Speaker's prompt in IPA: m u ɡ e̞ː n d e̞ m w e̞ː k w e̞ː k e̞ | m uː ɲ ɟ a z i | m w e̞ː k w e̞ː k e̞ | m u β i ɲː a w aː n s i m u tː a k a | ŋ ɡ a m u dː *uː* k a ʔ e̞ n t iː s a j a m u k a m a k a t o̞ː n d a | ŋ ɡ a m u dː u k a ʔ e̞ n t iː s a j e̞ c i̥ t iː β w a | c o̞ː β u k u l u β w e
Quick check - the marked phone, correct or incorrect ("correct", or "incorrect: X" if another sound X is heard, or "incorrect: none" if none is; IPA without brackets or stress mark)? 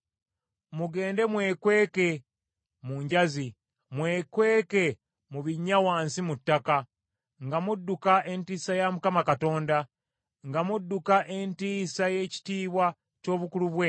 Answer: incorrect: u